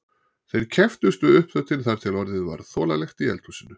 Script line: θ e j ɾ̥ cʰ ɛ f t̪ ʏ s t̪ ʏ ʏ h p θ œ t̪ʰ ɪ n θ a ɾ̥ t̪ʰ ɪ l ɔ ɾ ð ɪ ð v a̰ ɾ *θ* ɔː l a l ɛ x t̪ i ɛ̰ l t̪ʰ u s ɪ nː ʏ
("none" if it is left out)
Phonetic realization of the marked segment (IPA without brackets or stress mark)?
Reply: θ